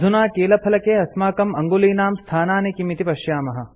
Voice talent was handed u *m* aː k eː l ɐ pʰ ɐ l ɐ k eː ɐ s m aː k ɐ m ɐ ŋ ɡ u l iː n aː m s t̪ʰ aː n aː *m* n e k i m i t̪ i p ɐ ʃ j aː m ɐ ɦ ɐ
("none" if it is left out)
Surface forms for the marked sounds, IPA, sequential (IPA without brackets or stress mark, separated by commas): n, none